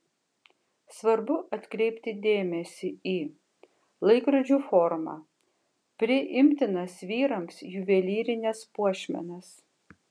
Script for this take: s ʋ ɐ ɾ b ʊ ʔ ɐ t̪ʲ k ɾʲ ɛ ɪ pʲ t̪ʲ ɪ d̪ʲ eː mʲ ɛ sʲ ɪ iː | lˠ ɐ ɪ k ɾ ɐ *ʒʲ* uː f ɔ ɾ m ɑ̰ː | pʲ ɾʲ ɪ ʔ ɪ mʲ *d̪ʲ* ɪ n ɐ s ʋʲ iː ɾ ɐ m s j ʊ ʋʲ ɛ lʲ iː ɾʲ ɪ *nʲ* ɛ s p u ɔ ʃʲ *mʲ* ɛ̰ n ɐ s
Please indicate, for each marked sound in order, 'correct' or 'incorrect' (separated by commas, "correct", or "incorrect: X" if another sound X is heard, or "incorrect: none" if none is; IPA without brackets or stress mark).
incorrect: d͡ʒʲ, incorrect: t̪ʲ, correct, correct